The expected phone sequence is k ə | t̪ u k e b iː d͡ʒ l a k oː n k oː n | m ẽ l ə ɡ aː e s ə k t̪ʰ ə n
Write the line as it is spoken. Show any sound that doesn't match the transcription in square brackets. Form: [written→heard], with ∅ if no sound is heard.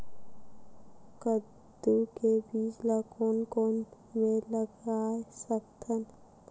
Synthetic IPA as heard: k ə | [t̪→d̪] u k e b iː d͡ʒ l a k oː n k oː n | m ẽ l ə ɡ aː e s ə k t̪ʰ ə n